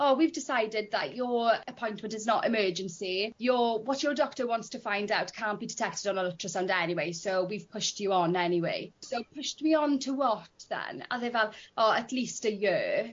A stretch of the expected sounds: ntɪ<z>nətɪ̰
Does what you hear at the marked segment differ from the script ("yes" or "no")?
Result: no